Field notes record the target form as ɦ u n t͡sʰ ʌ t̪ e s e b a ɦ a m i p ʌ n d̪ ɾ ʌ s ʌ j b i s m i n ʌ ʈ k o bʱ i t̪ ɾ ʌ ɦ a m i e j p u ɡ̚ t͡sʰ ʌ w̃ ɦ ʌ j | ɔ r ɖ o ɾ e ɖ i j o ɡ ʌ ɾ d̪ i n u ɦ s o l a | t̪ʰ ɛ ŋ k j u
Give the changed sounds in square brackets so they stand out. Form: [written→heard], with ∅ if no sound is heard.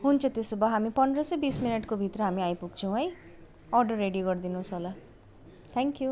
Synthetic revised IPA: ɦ u n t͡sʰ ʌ t̪ e s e b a ɦ a m i p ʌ n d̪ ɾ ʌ s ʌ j b i s m i n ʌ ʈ k o bʱ i t̪ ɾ ʌ ɦ a m i [e→a] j p u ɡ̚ t͡sʰ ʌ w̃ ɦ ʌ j | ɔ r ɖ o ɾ e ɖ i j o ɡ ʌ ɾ d̪ i n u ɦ s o l a | t̪ʰ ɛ ŋ k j u